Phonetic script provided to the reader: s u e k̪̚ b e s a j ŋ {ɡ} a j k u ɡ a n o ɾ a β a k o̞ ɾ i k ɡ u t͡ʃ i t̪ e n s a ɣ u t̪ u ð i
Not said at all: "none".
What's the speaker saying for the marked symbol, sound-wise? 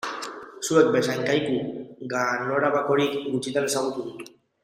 k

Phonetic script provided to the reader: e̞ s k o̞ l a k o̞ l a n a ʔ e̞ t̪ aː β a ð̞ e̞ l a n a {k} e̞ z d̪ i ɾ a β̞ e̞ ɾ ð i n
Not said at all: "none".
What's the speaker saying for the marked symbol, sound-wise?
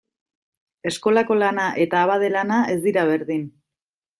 none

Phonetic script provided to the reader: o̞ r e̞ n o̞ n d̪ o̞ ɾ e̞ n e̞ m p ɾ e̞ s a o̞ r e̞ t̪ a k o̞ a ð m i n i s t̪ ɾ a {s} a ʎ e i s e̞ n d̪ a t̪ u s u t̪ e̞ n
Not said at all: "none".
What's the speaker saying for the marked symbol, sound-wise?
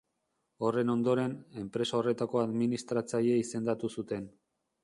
t͡s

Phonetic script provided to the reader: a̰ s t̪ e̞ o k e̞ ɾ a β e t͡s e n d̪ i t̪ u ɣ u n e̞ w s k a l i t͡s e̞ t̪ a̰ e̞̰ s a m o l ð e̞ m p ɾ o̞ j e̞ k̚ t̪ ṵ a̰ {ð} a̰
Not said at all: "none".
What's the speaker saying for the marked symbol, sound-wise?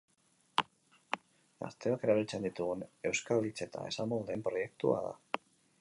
ð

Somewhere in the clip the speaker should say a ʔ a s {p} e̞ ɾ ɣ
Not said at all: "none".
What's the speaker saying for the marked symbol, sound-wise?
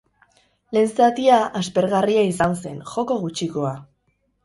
p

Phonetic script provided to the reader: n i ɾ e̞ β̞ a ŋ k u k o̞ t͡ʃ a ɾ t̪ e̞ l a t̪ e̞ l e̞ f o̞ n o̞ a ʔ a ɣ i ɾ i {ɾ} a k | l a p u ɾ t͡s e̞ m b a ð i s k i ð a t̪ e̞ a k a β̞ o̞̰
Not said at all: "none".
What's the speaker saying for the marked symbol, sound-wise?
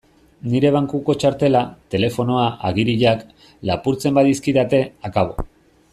ʎ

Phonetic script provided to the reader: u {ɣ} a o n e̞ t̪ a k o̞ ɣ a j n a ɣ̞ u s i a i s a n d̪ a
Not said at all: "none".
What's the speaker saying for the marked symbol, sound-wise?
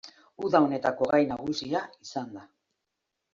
ð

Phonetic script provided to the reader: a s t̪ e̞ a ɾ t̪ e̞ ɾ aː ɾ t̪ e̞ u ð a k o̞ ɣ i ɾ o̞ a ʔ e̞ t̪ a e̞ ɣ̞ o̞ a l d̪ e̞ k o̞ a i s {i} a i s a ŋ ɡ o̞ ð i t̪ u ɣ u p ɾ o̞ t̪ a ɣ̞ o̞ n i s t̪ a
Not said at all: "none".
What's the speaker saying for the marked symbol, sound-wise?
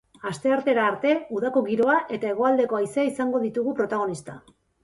e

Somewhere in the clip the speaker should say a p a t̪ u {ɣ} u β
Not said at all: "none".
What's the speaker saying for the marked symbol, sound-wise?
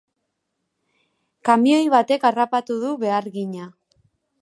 ð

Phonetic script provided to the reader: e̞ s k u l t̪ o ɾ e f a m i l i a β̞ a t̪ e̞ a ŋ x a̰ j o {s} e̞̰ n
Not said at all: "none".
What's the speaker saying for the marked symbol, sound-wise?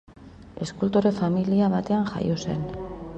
s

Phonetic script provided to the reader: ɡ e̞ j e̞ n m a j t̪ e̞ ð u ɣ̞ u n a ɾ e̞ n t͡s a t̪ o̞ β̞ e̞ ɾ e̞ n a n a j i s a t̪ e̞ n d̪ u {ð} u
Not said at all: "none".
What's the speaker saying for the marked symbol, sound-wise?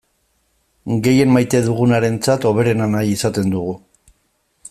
ɣ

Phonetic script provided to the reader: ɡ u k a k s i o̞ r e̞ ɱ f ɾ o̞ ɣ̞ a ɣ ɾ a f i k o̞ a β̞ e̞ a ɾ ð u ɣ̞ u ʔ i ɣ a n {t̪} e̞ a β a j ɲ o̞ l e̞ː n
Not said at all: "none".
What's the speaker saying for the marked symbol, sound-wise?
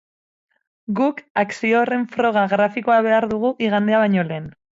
d̪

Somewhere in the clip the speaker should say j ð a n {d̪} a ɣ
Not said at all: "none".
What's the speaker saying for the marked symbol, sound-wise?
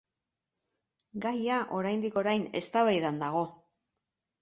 d̪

